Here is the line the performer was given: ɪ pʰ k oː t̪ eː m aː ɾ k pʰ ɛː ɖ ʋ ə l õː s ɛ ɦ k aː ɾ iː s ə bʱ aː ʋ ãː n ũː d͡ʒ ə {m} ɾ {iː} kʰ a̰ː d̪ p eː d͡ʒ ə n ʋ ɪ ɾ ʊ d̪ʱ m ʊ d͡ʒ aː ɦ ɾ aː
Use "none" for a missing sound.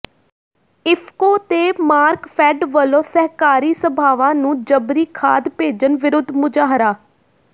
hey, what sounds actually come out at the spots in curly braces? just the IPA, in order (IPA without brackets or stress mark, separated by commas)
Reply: b, iː